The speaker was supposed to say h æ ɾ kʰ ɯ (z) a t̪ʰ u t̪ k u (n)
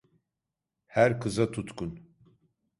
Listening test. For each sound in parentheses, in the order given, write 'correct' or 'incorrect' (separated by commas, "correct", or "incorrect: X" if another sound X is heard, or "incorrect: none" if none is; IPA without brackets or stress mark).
correct, correct